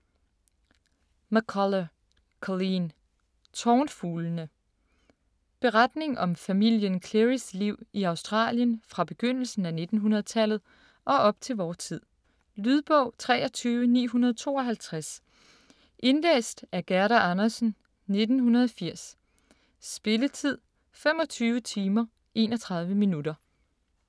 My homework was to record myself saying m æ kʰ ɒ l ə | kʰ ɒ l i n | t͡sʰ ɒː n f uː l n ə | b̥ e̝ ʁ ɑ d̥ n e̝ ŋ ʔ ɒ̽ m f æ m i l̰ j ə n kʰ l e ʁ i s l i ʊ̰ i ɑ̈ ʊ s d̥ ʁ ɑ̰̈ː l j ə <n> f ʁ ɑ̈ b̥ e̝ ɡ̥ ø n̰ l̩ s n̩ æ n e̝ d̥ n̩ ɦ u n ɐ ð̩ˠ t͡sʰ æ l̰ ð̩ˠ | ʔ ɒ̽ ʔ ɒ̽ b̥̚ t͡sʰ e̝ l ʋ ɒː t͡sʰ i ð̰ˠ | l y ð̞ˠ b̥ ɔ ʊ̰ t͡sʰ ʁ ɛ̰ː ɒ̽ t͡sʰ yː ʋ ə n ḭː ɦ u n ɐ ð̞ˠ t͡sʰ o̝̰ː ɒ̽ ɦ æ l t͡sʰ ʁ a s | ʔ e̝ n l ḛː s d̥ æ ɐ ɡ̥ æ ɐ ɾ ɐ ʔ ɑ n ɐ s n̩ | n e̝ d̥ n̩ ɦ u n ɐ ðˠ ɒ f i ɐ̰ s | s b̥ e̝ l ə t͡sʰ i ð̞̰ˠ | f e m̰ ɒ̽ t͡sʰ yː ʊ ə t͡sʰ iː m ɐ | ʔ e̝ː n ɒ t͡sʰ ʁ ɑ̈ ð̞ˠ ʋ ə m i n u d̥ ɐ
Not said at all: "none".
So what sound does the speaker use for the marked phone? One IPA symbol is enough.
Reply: n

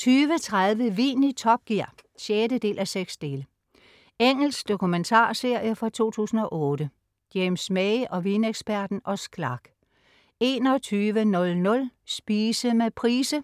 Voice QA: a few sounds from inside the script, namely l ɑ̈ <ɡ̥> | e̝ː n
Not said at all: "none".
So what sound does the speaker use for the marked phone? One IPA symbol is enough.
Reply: ɡ̥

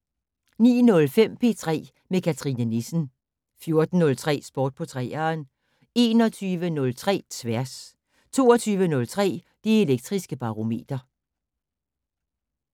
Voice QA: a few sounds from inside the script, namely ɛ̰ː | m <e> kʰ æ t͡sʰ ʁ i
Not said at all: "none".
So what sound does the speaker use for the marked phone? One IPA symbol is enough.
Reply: e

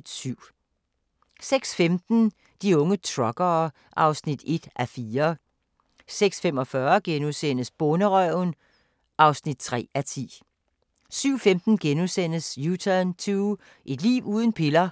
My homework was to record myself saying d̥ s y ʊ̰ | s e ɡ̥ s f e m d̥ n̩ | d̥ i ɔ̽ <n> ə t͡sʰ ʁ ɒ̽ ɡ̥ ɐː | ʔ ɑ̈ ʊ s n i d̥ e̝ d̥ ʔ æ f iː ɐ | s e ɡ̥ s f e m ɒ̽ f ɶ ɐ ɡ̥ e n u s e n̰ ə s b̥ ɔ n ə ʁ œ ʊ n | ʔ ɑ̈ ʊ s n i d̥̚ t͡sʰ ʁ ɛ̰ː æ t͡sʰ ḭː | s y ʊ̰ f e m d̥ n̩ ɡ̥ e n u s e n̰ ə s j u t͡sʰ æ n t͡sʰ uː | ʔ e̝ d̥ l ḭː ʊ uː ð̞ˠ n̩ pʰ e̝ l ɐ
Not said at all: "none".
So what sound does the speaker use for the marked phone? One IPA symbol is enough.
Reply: ŋ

